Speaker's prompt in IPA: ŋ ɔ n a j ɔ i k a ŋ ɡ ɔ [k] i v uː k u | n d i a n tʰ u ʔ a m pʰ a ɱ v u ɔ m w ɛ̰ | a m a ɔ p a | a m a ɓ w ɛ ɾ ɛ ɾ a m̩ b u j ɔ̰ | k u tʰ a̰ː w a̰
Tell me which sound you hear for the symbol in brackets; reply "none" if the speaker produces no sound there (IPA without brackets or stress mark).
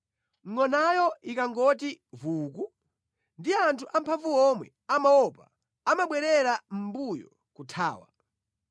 t